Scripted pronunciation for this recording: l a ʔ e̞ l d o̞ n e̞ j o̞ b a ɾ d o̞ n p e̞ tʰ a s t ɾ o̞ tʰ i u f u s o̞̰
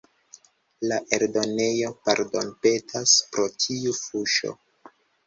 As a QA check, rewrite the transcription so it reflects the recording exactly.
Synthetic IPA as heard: l a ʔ e̞ ɾ d o̞ n e̞ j o̞ p a ɾ d o̞ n p e̞ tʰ a s p ɾ o̞ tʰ i u f u ʃ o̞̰